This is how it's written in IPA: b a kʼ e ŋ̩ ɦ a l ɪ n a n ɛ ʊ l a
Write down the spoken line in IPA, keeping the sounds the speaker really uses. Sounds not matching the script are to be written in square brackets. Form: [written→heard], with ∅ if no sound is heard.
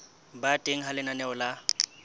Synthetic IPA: b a [kʼ→tʼ] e ŋ̩ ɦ a l ɪ n a n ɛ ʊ l a